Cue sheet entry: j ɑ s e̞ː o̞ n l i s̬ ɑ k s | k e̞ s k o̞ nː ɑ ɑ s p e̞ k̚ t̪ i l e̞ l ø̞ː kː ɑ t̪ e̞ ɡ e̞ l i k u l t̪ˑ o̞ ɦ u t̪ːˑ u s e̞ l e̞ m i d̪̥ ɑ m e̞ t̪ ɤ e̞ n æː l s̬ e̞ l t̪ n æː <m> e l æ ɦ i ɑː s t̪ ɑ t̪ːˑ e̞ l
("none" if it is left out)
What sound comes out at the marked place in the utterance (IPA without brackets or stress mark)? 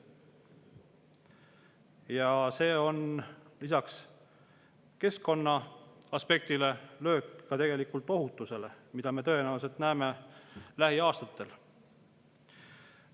m